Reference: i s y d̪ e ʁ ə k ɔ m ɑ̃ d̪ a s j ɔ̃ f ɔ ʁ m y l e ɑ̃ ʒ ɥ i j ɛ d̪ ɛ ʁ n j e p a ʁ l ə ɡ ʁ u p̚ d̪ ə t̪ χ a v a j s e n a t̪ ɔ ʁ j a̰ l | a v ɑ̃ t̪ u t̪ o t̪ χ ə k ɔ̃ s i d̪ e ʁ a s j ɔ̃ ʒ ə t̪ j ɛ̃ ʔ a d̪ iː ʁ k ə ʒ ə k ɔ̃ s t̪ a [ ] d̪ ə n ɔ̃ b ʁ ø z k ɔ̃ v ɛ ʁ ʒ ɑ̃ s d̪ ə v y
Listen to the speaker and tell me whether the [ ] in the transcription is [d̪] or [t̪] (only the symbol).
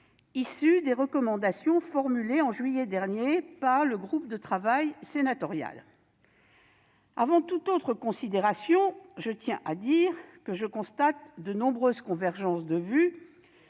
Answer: t̪